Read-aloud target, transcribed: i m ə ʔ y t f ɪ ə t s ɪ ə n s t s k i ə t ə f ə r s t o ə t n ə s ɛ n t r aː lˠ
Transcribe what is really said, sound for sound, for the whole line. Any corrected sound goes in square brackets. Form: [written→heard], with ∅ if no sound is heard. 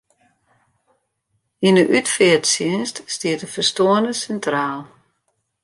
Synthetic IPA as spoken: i [m→n] ə ʔ y t f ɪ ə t s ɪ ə n s t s [k→t] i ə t ə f ə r s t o ə [t→∅] n ə s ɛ n t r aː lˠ